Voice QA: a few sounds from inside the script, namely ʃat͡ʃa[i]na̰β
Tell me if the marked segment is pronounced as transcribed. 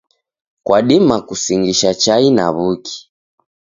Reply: yes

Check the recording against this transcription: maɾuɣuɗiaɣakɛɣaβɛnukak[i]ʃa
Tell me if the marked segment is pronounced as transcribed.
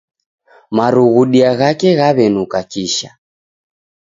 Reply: yes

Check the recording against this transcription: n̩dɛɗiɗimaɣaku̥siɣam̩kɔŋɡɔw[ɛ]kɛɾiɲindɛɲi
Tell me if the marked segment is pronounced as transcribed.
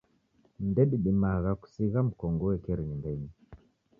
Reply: yes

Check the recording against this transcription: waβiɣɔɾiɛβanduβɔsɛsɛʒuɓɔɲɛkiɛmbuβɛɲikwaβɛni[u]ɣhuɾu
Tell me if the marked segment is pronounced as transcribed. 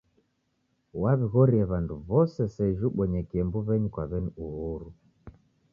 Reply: yes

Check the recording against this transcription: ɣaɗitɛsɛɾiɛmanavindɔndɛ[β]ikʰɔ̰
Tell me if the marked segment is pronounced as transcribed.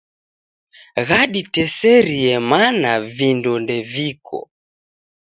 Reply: no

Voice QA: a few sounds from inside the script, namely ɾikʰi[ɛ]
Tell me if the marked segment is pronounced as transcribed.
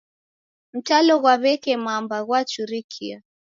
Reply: no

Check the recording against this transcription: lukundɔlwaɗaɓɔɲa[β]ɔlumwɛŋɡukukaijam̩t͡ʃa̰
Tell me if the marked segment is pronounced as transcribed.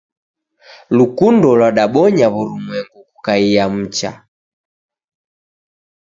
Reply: yes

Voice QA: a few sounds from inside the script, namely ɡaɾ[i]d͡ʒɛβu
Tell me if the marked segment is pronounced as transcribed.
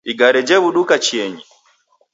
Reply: no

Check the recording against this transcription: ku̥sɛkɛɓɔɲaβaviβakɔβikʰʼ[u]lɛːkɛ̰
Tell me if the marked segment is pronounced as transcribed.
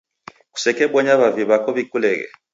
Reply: yes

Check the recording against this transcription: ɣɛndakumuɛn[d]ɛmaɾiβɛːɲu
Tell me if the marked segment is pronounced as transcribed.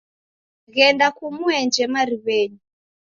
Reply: no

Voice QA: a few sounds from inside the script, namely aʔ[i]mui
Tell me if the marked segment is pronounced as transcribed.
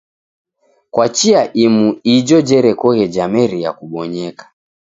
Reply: yes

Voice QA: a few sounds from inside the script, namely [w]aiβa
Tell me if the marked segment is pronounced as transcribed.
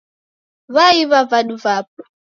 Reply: no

